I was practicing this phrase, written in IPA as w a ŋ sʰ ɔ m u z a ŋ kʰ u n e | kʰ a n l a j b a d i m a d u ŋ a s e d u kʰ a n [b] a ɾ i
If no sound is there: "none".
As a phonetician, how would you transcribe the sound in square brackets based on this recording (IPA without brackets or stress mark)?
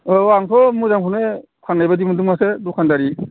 d